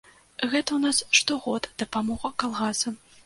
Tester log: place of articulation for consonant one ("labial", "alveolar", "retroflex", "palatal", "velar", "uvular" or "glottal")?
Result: velar